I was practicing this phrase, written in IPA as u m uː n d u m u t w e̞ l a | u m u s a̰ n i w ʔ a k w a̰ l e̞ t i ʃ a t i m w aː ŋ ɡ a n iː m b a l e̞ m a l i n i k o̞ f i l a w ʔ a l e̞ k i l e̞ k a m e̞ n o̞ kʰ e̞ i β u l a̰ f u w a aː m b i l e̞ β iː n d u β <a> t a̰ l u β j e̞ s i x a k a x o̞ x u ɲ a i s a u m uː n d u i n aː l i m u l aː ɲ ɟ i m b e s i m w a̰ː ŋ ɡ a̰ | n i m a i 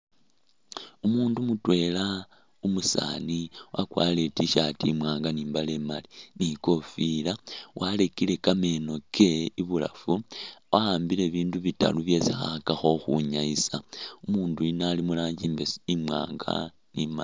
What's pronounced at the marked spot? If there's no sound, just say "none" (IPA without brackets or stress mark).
i